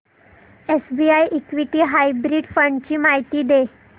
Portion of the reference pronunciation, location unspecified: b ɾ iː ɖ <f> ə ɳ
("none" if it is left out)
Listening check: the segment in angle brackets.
f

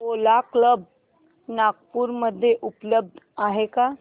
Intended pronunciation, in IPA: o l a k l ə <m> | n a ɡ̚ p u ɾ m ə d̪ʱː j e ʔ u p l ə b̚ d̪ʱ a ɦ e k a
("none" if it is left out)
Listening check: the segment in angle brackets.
b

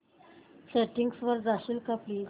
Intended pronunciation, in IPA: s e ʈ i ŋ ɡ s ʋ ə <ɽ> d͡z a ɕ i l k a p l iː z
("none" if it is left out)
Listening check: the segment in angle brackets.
ɾ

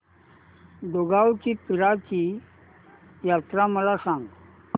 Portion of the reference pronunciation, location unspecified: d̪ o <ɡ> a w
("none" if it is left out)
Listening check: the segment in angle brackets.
ɡ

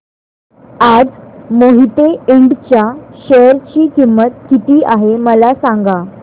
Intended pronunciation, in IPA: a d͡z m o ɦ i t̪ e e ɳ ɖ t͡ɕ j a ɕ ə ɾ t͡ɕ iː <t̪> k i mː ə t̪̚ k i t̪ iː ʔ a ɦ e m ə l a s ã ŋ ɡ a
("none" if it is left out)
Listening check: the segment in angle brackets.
none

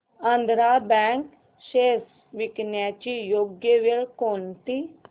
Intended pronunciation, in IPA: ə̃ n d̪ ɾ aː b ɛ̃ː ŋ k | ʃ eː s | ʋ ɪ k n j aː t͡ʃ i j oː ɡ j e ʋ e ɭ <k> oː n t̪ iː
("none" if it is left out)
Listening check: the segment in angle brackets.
k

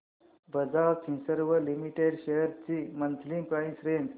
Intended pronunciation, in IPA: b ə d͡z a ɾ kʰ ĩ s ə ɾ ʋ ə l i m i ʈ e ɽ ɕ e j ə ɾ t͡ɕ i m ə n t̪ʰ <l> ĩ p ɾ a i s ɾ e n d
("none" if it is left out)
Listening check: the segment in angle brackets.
l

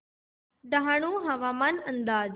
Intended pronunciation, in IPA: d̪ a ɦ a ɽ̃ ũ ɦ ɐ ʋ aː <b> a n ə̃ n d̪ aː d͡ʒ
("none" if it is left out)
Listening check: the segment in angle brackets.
m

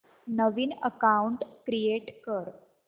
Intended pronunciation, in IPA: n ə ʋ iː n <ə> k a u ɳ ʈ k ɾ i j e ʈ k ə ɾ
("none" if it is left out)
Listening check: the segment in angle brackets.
ə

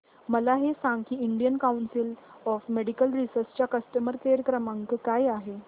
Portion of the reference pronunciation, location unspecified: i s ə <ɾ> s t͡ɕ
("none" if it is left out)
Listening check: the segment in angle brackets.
ɾ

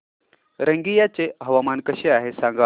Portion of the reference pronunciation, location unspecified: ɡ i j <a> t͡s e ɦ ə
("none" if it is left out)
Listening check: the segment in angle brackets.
a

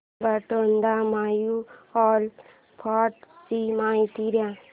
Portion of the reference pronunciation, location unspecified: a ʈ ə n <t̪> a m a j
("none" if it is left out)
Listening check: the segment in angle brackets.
d̪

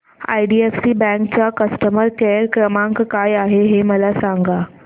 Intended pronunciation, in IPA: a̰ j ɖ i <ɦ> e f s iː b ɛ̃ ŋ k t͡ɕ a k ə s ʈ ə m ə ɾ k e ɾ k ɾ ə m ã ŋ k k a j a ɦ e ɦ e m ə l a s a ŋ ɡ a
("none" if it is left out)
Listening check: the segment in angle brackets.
none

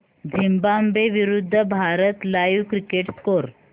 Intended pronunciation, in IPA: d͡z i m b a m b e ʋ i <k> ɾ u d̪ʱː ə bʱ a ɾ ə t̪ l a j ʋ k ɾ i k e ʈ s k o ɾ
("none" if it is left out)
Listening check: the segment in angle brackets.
none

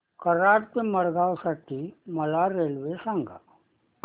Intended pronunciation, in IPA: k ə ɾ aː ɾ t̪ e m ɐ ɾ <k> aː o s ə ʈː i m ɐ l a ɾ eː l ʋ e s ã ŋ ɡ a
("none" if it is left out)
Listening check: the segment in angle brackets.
ɡ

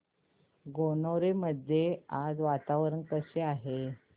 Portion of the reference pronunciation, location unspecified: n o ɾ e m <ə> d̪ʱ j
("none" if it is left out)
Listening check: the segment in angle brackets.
ə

